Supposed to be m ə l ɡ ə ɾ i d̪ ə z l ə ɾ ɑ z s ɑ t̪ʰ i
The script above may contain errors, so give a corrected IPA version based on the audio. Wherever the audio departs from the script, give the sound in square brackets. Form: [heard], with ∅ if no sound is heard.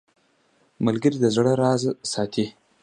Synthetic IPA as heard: m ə l ɡ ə ɾ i d̪ ə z [ɽ] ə ɾ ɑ z s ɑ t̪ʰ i